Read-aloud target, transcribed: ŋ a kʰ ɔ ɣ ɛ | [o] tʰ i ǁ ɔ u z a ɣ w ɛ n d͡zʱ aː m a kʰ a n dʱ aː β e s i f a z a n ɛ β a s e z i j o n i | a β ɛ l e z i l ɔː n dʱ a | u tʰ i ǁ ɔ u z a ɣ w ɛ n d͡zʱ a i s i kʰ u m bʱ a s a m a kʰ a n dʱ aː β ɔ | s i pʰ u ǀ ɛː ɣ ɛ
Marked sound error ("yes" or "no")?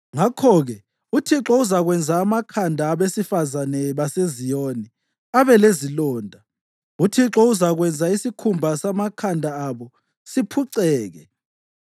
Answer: yes